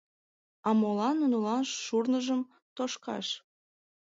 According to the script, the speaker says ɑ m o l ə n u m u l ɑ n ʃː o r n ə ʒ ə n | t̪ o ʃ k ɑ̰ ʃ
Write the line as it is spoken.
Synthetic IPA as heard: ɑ m o l ɑ n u n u l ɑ n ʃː u r n ə ʒ ə m | t̪ o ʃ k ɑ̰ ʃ